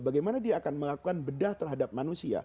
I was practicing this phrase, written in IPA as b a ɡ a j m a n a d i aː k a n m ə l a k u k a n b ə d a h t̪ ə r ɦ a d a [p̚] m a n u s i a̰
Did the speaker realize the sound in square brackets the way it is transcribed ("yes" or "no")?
yes